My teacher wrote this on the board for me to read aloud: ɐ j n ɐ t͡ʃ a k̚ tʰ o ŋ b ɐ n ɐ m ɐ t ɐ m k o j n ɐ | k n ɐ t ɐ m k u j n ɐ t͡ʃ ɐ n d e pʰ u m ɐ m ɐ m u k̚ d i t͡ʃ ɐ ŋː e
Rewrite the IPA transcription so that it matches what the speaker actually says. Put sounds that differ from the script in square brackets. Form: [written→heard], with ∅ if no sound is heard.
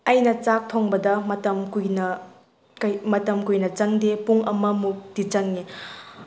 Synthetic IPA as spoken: ɐ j n ɐ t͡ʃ a k̚ tʰ o ŋ b ɐ [n→d] ɐ m ɐ t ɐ m k [o→u] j n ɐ | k [n→m] ɐ t ɐ m k u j n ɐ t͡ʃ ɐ [n→ŋ] d e [pʰ→p] u [m→ŋ] ɐ m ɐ m u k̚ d i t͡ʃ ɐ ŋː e

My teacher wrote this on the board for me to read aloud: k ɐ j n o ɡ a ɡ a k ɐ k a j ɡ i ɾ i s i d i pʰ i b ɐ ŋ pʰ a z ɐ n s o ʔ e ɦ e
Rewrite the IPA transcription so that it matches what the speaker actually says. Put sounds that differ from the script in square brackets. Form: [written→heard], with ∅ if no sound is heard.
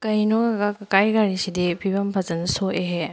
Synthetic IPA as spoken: k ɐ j n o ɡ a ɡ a k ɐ k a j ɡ [i→a] ɾ i s i d i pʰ i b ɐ [ŋ→m] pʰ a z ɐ n s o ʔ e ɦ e

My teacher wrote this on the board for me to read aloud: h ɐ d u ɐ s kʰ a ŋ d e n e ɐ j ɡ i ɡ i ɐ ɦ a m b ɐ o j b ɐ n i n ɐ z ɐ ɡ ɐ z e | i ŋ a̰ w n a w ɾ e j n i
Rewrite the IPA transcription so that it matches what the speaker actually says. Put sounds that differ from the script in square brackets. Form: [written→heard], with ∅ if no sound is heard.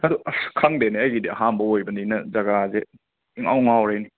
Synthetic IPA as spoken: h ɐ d u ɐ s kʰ a ŋ d e n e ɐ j ɡ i [ɡ→d] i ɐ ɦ a m b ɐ o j b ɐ n i n ɐ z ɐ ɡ [ɐ→a] z e | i ŋ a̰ w [n→ŋ] a w ɾ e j n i

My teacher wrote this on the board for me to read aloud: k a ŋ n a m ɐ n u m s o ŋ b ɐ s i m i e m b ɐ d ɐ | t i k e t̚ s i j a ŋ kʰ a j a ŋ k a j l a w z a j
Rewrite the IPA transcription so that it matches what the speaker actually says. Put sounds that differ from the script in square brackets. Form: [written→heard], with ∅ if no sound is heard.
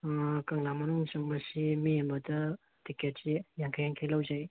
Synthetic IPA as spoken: k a ŋ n a m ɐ n u [m→ŋ] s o ŋ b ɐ s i m i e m b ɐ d ɐ | t i k e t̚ s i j a ŋ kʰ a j a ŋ [k→kʰ] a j l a w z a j

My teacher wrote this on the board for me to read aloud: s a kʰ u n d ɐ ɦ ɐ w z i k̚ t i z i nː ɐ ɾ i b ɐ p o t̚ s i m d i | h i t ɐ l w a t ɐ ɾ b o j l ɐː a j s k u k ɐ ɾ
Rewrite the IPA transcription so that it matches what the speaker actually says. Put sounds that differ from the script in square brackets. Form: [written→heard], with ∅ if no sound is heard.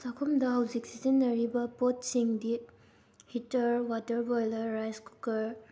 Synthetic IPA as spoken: s a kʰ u [n→m] d ɐ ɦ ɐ w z i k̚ [t→s] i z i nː ɐ ɾ i b ɐ p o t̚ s i [m→ŋ] d i | h i t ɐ [l→ɾ] w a t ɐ ɾ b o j l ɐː a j s k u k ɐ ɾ

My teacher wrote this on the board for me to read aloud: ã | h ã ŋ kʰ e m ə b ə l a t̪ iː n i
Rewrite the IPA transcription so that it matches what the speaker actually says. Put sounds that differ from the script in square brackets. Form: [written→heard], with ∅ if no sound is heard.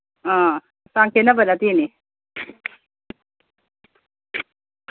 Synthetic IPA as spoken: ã | [h→s] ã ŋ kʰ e [m→n] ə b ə l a t̪ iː n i

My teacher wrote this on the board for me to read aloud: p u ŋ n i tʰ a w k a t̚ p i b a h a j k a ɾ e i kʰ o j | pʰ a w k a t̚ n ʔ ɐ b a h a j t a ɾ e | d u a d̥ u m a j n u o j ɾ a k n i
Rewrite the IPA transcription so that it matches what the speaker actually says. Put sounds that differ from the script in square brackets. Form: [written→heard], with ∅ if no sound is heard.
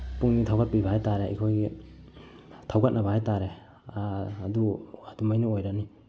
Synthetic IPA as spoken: p u ŋ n i tʰ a w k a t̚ p i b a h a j [k→t] a ɾ e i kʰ o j | [pʰ→tʰ] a w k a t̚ n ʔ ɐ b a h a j t a ɾ e | d u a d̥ u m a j n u o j ɾ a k n i

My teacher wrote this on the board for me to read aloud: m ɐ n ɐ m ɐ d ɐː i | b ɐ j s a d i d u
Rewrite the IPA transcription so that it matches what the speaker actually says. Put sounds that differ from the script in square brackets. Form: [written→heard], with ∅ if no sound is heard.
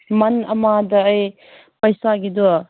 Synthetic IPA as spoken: m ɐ n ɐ m [ɐ→a] d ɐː [i→j] | [b→p] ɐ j s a [d→ɡ] i d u

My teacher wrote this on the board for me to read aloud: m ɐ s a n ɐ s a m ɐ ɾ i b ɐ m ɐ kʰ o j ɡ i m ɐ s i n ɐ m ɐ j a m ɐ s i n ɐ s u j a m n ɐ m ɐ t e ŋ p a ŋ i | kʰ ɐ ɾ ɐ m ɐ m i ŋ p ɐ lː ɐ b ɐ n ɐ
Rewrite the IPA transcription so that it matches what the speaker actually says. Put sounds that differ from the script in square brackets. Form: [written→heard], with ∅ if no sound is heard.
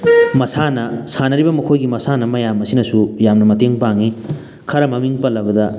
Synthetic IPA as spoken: m ɐ s a n ɐ s a [m→n] ɐ ɾ i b ɐ m ɐ kʰ o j ɡ i m ɐ s [i→a] n ɐ m ɐ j a m ɐ s i n ɐ s u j a m n ɐ m ɐ t e ŋ p a ŋ i | kʰ ɐ ɾ ɐ m ɐ m i ŋ p ɐ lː ɐ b ɐ [n→d] ɐ

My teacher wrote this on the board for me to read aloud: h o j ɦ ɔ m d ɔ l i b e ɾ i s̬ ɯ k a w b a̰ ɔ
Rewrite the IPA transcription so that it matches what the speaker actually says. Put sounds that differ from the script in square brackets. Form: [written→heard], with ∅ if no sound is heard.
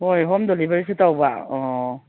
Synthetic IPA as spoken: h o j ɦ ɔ m d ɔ l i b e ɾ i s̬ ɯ [k→t] a w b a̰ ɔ

